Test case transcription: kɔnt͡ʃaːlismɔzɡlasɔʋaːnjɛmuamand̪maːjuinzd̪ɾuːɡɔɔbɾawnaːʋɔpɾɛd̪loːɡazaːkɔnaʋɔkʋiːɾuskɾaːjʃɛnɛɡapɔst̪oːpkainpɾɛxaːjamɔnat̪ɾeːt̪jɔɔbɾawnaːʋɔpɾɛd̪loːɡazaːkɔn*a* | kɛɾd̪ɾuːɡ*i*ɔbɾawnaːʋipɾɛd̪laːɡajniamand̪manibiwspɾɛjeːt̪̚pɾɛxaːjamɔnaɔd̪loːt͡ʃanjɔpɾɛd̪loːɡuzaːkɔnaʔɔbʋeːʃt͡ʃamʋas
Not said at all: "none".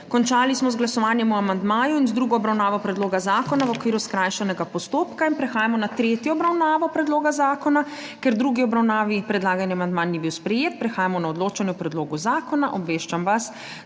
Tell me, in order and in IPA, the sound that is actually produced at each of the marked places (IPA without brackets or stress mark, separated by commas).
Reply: a, i